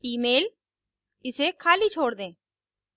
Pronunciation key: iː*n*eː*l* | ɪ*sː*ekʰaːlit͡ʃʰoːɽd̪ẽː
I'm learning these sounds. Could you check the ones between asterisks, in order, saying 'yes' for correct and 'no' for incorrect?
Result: no, yes, no

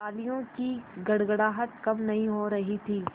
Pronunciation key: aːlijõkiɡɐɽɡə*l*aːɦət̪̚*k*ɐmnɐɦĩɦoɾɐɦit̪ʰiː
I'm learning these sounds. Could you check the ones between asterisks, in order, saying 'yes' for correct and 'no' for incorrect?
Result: no, yes

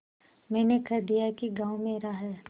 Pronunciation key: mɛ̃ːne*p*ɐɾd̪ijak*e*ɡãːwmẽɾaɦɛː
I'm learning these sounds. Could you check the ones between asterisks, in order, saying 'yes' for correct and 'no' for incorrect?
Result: no, no

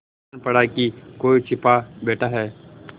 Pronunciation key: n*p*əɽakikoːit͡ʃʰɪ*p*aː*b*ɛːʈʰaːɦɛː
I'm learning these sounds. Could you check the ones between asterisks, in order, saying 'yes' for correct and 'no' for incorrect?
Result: yes, yes, yes

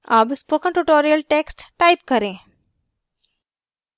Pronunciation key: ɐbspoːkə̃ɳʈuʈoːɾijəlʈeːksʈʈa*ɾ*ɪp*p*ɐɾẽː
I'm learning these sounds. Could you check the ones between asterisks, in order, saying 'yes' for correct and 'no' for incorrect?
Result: no, no

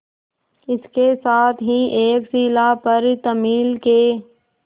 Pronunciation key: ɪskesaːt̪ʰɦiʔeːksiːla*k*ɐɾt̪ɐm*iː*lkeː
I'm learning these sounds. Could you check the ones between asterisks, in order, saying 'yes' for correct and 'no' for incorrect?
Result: no, yes

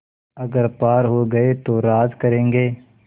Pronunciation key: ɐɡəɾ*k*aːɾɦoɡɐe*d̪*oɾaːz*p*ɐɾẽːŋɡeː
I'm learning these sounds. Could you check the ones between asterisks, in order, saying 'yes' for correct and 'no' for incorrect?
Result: no, no, no

